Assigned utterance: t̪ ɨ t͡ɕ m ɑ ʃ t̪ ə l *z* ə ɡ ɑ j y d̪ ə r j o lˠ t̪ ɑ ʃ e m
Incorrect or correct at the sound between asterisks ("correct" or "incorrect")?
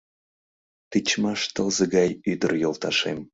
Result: correct